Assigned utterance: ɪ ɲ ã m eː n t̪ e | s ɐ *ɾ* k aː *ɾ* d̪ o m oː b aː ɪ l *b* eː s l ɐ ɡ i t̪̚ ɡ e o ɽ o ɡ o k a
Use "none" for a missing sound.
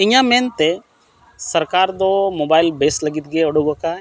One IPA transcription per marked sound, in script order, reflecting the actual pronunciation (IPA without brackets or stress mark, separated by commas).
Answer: ɾ, ɾ, b